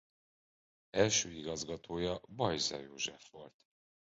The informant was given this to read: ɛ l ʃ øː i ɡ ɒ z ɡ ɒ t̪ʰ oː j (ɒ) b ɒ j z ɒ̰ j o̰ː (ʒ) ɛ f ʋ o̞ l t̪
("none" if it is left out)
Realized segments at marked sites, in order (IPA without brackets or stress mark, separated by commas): ɒ, ʒ